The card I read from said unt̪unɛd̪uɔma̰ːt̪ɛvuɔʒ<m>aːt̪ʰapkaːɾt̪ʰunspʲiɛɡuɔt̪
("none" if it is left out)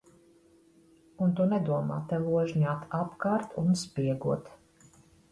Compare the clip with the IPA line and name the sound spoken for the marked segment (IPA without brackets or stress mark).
ɲ